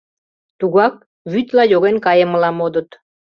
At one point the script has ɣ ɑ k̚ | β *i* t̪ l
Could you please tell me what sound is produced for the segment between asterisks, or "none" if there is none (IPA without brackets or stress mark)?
y